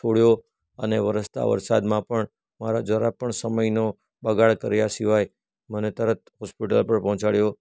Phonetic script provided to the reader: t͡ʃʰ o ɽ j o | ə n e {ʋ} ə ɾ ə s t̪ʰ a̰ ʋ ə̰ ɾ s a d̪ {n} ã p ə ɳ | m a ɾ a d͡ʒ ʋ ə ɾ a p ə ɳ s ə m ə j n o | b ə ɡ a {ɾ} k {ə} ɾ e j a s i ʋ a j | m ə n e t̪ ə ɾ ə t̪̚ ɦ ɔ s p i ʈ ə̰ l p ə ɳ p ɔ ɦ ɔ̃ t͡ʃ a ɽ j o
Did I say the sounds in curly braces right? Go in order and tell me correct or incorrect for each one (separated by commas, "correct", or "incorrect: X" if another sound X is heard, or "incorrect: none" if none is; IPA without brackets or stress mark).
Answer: correct, incorrect: m, incorrect: ɭ, correct